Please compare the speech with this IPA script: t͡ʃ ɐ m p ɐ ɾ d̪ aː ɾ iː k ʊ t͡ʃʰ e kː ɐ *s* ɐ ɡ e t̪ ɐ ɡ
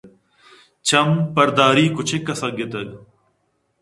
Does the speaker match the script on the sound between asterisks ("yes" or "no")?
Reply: yes